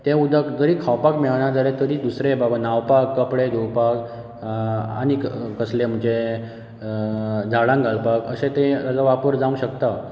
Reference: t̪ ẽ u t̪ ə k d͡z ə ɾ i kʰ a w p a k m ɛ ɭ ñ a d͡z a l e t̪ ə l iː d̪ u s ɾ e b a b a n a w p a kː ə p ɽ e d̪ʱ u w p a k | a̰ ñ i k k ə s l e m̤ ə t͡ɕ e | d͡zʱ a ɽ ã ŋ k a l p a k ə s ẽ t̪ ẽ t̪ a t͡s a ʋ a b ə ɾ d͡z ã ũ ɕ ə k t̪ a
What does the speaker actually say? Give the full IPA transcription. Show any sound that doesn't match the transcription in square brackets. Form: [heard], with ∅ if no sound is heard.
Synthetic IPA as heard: t̪ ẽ u [d̪] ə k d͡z ə ɾ i kʰ a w p a k m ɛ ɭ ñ a d͡z a l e t̪ ə [ɾ] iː d̪ u s ɾ e b a b a n a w p a kː ə p ɽ e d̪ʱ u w p a k | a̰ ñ i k k ə s l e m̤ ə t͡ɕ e | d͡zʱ a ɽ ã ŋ [ɡ] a l p a k ə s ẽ t̪ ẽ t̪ a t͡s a ʋ a [p] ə ɾ d͡z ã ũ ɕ ə k t̪ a